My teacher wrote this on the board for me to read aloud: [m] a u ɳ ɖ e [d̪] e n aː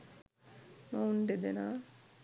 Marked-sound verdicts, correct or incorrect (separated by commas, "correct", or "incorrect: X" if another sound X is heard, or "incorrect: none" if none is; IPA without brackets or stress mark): correct, correct